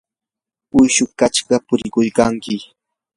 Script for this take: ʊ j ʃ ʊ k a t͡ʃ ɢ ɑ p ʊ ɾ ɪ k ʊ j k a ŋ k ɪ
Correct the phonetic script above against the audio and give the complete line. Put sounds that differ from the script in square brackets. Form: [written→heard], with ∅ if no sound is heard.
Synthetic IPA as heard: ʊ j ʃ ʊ k a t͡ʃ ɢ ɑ p ʊ ɾ ɪ k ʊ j k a ŋ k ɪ